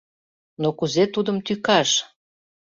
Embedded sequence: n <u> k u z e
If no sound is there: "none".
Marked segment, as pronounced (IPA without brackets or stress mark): o